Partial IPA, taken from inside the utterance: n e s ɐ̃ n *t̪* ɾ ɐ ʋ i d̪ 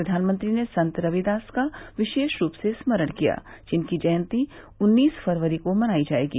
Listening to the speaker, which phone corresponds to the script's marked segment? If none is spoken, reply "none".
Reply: t̪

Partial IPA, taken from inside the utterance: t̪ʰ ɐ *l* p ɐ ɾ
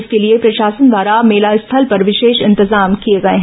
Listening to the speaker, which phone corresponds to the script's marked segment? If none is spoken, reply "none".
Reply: l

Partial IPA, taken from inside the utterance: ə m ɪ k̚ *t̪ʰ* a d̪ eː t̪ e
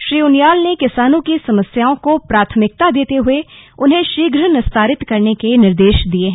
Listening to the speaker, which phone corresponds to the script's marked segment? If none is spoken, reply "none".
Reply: t̪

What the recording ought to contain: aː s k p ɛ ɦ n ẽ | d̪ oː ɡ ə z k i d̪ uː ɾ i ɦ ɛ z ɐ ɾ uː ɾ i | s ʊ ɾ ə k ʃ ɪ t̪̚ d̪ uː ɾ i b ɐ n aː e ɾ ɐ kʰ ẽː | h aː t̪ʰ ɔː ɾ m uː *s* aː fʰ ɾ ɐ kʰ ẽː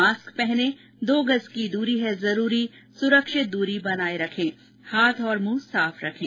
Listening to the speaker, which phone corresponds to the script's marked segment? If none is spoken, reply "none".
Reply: s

